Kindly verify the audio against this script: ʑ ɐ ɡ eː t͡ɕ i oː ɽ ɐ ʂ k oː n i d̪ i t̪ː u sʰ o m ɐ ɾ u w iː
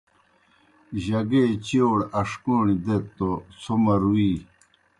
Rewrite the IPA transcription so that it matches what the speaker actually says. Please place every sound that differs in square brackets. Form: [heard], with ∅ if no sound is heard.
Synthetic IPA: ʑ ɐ ɡ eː t͡ɕ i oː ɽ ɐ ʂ k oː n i d̪ [e] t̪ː [o] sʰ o m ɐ ɾ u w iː